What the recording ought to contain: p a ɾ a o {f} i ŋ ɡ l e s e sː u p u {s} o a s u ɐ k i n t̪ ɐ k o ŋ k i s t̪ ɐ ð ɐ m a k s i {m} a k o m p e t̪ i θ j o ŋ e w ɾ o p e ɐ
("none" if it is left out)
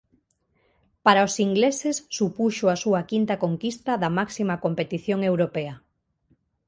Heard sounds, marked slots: s, ʃ, m

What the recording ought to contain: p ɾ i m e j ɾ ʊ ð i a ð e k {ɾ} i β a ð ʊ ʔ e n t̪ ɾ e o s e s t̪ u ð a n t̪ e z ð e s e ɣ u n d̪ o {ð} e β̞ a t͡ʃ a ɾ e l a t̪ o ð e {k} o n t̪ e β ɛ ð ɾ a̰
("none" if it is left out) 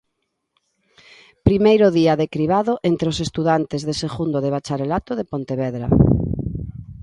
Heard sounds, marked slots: ɾ, ð, p

